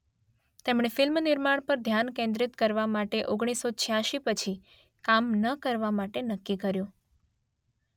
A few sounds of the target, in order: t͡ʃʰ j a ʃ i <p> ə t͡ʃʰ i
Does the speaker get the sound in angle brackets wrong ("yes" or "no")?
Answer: no